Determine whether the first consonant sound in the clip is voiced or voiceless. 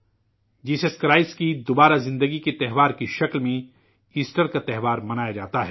voiced